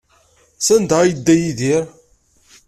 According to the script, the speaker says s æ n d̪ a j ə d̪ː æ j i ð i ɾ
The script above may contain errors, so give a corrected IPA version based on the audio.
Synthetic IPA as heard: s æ n d̪ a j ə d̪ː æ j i ð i ɾ